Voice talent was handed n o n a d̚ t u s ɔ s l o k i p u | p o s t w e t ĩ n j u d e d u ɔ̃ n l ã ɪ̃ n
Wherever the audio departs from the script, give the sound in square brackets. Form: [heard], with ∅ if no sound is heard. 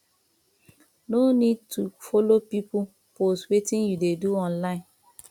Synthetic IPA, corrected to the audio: n o n [i] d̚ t u [f] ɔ [∅] l o [p] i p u | p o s t w e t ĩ n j u d e d u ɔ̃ n l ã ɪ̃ n